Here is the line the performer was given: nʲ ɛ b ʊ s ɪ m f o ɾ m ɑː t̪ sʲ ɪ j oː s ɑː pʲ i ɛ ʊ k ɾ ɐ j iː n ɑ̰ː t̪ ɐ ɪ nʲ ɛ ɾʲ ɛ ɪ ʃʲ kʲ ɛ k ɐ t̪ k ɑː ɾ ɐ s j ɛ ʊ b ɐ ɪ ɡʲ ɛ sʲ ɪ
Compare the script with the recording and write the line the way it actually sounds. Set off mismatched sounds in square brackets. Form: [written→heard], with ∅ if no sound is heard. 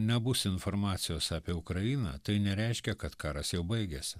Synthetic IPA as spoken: nʲ ɛ b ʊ s ɪ [m→n] f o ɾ m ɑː t̪ sʲ ɪ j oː s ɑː pʲ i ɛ ʊ k ɾ ɐ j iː n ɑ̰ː t̪ ɐ ɪ nʲ ɛ ɾʲ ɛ ɪ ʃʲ kʲ ɛ k ɐ t̪ k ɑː ɾ ɐ s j ɛ ʊ b ɐ ɪ ɡʲ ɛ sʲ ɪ

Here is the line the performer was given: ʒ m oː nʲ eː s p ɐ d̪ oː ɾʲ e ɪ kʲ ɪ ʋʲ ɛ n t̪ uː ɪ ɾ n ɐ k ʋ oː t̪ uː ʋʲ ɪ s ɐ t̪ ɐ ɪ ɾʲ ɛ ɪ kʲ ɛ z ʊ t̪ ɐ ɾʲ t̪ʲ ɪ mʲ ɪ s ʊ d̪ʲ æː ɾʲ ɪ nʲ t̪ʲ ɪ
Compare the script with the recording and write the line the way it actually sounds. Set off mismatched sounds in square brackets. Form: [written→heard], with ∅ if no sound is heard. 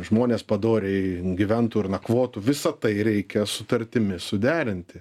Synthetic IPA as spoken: ʒ m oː nʲ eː s p ɐ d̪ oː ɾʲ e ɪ [kʲ→ɡʲ] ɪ ʋʲ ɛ n t̪ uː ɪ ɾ n ɐ k ʋ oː t̪ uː ʋʲ ɪ s ɐ t̪ ɐ ɪ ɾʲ ɛ ɪ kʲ ɛ [z→s] ʊ t̪ ɐ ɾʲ t̪ʲ ɪ mʲ ɪ s ʊ d̪ʲ æː ɾʲ ɪ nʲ t̪ʲ ɪ

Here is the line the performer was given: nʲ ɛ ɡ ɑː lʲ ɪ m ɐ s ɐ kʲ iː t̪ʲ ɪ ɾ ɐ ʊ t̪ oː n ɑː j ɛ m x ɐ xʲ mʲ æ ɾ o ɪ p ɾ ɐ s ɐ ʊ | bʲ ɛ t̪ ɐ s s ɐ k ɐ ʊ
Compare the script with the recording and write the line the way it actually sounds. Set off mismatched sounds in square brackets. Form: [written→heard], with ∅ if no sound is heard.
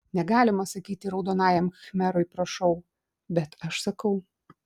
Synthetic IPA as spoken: nʲ ɛ ɡ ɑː lʲ ɪ m ɐ s ɐ kʲ iː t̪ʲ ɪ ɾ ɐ ʊ [t̪→d̪] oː n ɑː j ɛ m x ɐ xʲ mʲ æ ɾ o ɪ p ɾ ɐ [s→ʃ] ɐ ʊ | bʲ ɛ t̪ ɐ [s→ʃ] s ɐ k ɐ ʊ

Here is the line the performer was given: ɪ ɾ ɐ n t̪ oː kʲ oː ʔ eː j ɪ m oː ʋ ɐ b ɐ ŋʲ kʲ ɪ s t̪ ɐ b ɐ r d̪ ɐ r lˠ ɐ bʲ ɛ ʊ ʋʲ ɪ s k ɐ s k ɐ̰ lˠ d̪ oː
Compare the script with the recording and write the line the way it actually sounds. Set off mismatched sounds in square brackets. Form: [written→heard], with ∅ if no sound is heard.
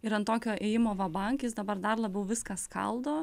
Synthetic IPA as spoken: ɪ ɾ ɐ n t̪ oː kʲ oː ʔ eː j ɪ m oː ʋ ɐ b ɐ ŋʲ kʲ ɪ s [t̪→d̪] ɐ b ɐ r d̪ ɐ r lˠ ɐ bʲ ɛ ʊ ʋʲ ɪ s k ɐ s k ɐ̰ lˠ d̪ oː

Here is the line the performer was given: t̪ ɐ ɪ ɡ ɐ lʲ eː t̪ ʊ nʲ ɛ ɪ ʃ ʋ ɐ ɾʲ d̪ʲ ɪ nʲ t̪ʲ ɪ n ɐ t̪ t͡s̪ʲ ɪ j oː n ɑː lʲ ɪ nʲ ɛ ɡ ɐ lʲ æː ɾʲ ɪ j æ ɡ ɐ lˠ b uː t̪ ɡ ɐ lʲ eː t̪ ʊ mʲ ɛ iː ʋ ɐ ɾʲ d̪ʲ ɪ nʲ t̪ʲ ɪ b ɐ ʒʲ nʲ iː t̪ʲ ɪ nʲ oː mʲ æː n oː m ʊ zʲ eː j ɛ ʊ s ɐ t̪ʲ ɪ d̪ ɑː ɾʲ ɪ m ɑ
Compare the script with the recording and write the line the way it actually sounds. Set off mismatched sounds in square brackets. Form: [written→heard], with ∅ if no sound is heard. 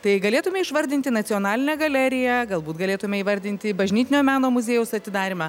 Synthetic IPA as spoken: t̪ ɐ ɪ ɡ ɐ lʲ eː t̪ ʊ [nʲ→mʲ] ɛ ɪ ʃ ʋ ɐ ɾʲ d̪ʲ ɪ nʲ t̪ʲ ɪ n ɐ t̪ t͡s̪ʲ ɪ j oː n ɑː lʲ ɪ nʲ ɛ ɡ ɐ lʲ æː ɾʲ ɪ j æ ɡ ɐ lˠ b uː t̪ ɡ ɐ lʲ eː t̪ ʊ mʲ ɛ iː ʋ ɐ ɾʲ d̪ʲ ɪ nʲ t̪ʲ ɪ b ɐ ʒʲ nʲ iː t̪ʲ ɪ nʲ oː mʲ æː n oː m ʊ zʲ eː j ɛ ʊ s ɐ t̪ʲ ɪ d̪ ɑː ɾʲ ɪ m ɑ

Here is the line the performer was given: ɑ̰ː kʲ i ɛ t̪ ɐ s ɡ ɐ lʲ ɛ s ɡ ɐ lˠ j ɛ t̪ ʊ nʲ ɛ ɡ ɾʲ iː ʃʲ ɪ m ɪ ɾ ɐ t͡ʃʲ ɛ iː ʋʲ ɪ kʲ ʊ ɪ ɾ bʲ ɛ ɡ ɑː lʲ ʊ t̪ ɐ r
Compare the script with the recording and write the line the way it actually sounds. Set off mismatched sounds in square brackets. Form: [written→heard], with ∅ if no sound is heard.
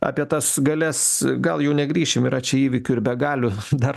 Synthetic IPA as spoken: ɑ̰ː [kʲ→pʲ] i ɛ t̪ ɐ s ɡ ɐ lʲ ɛ s ɡ ɐ lˠ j ɛ [t̪→∅] ʊ nʲ ɛ ɡ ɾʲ iː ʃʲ ɪ m ɪ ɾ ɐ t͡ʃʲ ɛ iː ʋʲ ɪ kʲ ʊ ɪ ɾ bʲ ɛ ɡ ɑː lʲ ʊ [t̪→d̪] ɐ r

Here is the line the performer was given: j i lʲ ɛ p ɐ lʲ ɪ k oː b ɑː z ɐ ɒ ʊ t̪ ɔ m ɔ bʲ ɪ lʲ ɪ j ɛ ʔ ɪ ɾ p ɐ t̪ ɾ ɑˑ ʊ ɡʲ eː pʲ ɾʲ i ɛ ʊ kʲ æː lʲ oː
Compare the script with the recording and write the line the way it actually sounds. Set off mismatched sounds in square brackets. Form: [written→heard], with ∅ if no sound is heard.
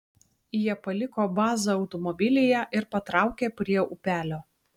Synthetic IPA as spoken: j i [lʲ→∅] ɛ p ɐ lʲ ɪ k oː b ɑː z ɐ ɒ ʊ t̪ ɔ m ɔ bʲ ɪ lʲ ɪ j ɛ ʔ ɪ ɾ p ɐ t̪ ɾ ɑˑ ʊ [ɡʲ→kʲ] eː pʲ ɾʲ i ɛ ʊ [kʲ→pʲ] æː lʲ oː

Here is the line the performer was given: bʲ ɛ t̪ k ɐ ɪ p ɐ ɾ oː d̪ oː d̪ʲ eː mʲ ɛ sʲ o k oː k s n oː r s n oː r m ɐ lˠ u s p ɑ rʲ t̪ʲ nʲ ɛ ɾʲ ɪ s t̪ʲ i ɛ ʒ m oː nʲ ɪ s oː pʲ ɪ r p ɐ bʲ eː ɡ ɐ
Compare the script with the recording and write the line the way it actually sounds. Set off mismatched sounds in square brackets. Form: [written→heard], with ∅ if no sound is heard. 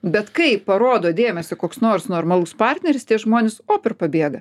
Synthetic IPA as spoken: bʲ ɛ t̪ k ɐ ɪ p ɐ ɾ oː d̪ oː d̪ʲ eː mʲ ɛ sʲ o k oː k s n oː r s n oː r m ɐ lˠ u s p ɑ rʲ t̪ʲ nʲ ɛ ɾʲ ɪ s t̪ʲ i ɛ ʒ m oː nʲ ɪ s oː pʲ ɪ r p ɐ bʲ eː ɡ ɐ

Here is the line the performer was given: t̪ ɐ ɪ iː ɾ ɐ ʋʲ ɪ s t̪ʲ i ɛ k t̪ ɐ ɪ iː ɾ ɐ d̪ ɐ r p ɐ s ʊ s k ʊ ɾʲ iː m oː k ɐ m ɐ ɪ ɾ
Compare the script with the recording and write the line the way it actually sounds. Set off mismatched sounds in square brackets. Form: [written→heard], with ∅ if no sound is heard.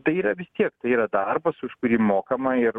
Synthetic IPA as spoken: t̪ ɐ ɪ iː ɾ ɐ ʋʲ ɪ s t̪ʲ i ɛ k t̪ ɐ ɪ iː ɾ ɐ d̪ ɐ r [p→b] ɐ s ʊ [s→ʃ] k ʊ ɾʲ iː m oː k ɐ m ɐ ɪ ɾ

